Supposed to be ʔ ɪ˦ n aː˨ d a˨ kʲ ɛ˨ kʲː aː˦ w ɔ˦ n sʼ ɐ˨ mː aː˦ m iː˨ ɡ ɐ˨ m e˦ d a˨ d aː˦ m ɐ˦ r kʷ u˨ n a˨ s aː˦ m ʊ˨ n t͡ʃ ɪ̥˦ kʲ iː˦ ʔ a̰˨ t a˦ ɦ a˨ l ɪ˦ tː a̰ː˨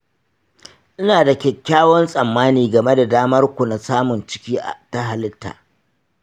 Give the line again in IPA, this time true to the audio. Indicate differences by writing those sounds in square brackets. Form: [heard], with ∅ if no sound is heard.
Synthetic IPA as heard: ʔ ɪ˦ n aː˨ d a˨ kʲ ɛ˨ kʲː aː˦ w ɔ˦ n sʼ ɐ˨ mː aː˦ [n] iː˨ ɡ ɐ˨ m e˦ d a˨ d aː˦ m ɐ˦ r kʷ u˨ n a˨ s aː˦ m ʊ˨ n t͡ʃ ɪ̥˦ kʲ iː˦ ʔ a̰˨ t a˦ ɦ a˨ l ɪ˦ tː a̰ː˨

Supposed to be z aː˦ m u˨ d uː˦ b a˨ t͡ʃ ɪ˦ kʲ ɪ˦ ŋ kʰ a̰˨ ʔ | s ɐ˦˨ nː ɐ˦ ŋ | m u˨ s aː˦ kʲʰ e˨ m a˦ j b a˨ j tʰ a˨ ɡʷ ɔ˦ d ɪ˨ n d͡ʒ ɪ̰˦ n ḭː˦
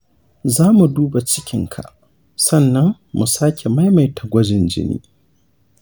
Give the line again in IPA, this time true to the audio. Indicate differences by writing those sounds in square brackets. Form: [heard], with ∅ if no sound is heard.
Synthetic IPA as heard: z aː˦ m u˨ d uː˦ b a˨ t͡ʃ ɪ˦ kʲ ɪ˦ ŋ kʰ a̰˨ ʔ | s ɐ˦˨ nː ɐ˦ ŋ | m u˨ s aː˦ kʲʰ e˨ m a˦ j [m] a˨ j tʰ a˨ ɡʷ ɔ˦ [d͡ʒ] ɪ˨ n d͡ʒ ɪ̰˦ n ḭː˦

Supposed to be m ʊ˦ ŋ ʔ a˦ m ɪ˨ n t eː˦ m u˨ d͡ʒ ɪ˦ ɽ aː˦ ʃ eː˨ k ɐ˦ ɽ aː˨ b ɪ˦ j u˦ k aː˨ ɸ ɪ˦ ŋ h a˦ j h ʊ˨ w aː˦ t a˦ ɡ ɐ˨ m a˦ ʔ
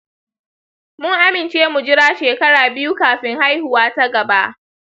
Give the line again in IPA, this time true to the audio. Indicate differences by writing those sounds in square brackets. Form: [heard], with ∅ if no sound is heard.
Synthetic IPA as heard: m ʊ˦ ŋ ʔ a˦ m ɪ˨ n [t͡ʃ] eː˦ m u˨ d͡ʒ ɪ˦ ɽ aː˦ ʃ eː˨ k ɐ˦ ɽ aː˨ b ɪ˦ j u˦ k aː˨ ɸ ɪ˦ ŋ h a˦ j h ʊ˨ w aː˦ t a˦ ɡ ɐ˨ [b] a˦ ʔ

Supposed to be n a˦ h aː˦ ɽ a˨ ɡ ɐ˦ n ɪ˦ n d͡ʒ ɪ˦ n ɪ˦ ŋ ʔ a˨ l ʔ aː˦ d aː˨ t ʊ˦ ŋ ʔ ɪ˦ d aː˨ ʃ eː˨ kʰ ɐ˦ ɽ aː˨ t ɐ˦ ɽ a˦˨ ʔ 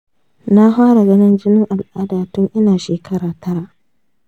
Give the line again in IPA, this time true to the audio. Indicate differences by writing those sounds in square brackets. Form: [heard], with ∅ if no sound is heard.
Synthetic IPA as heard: n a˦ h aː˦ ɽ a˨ ɡ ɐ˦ n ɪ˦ n d͡ʒ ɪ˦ n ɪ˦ ŋ ʔ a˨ l ʔ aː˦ d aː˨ t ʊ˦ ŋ ʔ ɪ˦ [n] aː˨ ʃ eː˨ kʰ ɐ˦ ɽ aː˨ t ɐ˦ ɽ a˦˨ ʔ

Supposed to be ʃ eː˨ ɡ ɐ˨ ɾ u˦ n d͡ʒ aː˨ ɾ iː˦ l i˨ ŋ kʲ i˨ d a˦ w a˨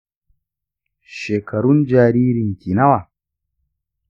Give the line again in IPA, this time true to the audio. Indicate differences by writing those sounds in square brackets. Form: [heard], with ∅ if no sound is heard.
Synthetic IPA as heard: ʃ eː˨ [k] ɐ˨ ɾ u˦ n d͡ʒ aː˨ ɾ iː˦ [ɾ] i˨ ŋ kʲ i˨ [n] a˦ w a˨

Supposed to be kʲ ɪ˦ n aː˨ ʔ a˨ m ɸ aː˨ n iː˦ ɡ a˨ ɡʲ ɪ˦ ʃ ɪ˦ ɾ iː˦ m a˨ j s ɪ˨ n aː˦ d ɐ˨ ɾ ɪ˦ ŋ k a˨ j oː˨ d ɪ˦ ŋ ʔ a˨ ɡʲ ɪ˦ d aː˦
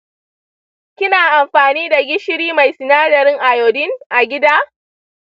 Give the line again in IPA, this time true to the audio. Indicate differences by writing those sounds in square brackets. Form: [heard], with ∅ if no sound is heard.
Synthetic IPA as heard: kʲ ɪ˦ n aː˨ ʔ a˨ m ɸ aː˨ n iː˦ [d] a˨ ɡʲ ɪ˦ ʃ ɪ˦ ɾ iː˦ m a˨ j s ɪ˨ n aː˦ d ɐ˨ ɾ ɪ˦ ŋ [ʔ] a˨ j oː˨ d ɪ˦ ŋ ʔ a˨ ɡʲ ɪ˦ d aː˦

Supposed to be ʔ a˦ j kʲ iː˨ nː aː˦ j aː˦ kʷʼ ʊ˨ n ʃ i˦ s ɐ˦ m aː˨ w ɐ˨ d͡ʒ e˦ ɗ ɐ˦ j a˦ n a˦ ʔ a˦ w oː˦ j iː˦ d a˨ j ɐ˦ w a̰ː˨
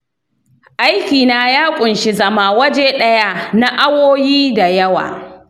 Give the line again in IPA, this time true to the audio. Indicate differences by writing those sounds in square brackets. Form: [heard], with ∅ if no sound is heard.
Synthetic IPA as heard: ʔ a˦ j kʲ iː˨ [n] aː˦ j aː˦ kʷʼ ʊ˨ n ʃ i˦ [z] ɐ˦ m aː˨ w [ɐ˦] d͡ʒ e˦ ɗ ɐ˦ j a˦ n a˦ ʔ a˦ w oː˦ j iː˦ d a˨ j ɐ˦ w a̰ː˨

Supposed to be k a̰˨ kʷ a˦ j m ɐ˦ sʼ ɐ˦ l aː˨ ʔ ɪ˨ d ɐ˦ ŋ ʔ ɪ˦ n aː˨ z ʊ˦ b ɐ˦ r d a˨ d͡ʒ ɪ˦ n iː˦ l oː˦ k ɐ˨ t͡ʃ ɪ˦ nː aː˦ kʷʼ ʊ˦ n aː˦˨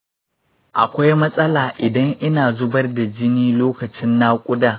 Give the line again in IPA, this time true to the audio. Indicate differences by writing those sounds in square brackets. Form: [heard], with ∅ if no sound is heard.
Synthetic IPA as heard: [ʔ] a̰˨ kʷ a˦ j m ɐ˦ sʼ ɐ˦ l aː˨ ʔ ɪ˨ d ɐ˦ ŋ ʔ ɪ˦ n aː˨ z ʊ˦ b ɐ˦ r d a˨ d͡ʒ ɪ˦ n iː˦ l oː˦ k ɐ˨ t͡ʃ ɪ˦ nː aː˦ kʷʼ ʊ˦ [d] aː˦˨

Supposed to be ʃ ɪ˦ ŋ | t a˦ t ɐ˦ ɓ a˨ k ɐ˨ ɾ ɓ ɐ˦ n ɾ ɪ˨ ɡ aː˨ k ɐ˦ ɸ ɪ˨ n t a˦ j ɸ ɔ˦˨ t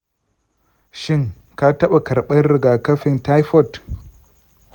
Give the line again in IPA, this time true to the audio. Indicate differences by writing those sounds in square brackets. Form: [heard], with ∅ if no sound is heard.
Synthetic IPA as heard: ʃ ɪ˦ ŋ | [k] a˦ t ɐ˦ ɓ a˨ k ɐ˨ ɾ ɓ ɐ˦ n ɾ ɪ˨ ɡ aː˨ k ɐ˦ ɸ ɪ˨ n t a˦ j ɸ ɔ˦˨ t

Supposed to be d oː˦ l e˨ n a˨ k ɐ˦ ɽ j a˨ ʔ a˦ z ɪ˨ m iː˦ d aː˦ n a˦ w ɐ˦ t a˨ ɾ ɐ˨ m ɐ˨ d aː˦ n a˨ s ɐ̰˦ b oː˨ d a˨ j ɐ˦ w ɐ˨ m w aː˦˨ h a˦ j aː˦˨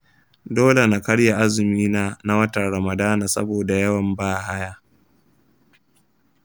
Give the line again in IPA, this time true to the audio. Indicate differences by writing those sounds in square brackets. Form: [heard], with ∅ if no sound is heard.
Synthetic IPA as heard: d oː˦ l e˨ n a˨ k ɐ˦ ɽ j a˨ ʔ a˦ z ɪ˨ m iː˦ [n] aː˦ n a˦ w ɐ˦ t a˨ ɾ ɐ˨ m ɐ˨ d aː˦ n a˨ s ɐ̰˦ b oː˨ d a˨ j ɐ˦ w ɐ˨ m [b] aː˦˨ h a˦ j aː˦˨

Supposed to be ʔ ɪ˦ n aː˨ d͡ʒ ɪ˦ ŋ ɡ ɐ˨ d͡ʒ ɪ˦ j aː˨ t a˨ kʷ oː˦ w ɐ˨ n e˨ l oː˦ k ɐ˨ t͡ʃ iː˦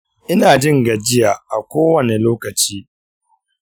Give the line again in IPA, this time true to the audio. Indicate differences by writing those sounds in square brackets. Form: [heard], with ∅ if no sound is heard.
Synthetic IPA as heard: ʔ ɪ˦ n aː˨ d͡ʒ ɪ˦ ŋ ɡ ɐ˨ d͡ʒ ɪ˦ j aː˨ [ʔ] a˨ kʷ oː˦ w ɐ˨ n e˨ l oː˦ k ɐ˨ t͡ʃ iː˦

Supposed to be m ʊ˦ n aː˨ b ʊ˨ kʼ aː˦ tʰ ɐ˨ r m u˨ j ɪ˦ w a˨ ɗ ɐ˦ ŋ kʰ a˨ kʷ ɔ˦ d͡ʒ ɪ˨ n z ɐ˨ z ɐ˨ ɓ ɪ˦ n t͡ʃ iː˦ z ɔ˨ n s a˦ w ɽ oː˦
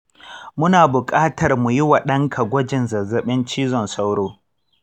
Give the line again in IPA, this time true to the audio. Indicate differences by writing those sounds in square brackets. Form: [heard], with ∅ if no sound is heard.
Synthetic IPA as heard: m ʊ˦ n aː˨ b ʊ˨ kʼ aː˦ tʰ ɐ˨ r m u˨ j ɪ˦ w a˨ ɗ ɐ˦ ŋ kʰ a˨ [ɡʷ] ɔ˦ d͡ʒ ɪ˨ n z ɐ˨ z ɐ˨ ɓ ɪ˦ n t͡ʃ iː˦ z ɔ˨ n s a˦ w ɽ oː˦

